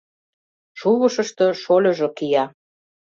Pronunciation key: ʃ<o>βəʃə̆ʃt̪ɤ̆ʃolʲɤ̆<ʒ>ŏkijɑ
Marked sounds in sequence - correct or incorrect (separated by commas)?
incorrect, correct